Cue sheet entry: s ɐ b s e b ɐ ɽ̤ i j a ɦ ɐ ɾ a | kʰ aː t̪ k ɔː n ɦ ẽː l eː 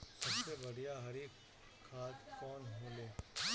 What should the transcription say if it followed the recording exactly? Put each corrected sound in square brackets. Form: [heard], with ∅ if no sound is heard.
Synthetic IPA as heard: s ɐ b s e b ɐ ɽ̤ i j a ɦ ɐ ɾ [i] | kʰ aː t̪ k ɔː n ɦ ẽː l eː

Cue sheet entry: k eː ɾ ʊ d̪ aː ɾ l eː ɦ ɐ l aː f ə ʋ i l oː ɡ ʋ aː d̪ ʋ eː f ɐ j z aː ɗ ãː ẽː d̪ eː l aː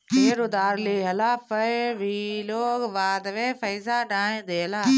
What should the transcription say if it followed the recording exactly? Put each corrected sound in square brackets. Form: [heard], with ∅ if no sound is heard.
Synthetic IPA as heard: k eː ɾ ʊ d̪ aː ɾ l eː ɦ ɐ l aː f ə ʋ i l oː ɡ ʋ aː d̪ ʋ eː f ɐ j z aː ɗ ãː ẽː d̪ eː l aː

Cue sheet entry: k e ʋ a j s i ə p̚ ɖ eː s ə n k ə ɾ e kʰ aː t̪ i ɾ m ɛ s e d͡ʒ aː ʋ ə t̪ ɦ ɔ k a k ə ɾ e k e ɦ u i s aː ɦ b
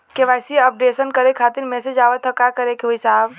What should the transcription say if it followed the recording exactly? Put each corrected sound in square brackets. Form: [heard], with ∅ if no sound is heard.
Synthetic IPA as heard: k e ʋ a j s i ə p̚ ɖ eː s ə n k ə ɾ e kʰ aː t̪ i ɾ m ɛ s e d͡ʒ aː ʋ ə t̪ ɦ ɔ k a k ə ɾ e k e ɦ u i s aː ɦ b

